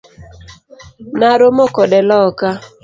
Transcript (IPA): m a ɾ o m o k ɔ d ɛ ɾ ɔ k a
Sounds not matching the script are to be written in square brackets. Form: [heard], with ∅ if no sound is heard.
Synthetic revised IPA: [n] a ɾ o m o k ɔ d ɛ [l] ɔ k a